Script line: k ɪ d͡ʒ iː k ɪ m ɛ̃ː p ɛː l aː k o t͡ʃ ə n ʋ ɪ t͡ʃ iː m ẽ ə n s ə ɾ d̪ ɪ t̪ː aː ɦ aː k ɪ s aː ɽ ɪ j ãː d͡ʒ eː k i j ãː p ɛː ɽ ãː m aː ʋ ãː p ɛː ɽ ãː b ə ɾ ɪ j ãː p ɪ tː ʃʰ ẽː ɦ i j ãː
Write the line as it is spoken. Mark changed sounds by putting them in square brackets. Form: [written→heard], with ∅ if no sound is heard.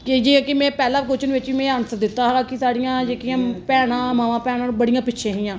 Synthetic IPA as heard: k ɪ d͡ʒ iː k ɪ m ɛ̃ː p ɛː l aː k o t͡ʃ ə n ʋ ɪ t͡ʃ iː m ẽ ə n s ə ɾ d̪ ɪ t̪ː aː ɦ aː k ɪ s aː ɽ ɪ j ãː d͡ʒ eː k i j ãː p ɛː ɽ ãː m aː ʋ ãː p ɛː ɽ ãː b ə [ɾ→ɽ] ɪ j ãː p ɪ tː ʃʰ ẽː ɦ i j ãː